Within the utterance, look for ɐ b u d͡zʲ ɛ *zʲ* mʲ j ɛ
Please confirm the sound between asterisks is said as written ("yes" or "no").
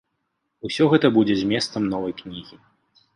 yes